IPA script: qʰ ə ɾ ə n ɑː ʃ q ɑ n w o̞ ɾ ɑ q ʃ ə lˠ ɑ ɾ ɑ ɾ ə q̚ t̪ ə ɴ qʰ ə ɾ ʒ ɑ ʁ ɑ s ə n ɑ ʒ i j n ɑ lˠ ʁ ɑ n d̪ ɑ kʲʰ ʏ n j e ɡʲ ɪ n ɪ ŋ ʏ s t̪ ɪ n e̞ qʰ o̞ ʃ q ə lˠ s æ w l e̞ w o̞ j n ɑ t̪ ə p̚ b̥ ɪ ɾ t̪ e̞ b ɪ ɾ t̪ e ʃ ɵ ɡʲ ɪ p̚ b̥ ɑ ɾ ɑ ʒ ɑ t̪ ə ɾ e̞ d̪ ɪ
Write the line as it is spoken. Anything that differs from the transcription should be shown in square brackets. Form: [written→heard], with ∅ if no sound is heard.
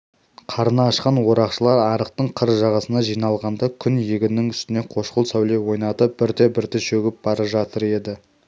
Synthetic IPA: qʰ [ə→ɑ] ɾ ə n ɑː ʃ q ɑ n w o̞ ɾ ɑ q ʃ ə lˠ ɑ ɾ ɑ ɾ ə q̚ t̪ ə ɴ qʰ ə ɾ ʒ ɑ ʁ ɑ s ə n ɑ ʒ i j n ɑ lˠ ʁ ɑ n d̪ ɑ kʲʰ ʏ n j e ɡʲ ɪ n ɪ ŋ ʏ s t̪ ɪ n e̞ qʰ o̞ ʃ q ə lˠ s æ w l e̞ w o̞ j n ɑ t̪ ə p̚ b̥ ɪ ɾ t̪ e̞ b ɪ ɾ t̪ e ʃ ɵ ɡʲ ɪ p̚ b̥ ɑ ɾ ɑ ʒ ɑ t̪ ə ɾ e̞ d̪ ɪ